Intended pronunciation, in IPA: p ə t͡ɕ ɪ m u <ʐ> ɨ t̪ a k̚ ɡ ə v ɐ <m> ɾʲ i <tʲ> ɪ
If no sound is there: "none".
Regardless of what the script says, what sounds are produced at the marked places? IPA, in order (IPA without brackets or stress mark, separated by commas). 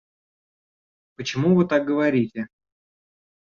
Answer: v, none, tʲ